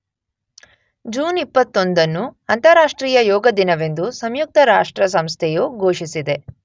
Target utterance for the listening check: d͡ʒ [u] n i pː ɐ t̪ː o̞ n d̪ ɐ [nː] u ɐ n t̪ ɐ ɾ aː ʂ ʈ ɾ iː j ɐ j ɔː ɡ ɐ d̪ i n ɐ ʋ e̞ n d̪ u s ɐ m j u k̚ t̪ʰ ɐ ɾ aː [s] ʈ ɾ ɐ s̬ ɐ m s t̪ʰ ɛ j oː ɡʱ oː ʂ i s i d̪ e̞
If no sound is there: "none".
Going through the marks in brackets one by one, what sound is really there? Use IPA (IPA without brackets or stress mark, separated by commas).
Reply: uː, nː, ʂ